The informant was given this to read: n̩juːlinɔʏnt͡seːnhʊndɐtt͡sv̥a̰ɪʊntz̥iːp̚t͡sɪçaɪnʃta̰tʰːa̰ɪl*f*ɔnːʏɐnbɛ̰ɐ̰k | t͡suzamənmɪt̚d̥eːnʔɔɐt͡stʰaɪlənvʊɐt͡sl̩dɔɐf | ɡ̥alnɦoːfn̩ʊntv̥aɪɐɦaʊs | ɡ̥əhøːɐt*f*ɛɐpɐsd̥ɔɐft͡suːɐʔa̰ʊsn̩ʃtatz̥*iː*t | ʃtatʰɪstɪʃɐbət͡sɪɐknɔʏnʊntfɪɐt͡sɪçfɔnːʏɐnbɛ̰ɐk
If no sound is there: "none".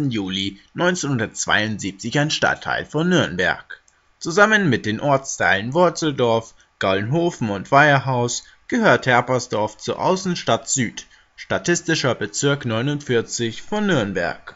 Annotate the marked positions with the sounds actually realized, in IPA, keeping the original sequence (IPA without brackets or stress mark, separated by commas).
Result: f, h, yː